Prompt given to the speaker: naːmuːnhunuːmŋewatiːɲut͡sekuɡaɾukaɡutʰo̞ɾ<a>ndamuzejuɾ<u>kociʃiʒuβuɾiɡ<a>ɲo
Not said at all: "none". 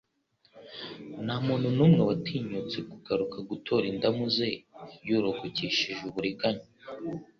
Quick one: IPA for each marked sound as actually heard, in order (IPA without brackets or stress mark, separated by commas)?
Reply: i, o, a